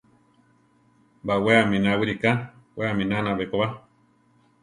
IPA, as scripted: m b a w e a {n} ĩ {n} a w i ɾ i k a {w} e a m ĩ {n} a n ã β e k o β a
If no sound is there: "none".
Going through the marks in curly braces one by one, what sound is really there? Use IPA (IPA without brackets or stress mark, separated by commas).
m, n, w, n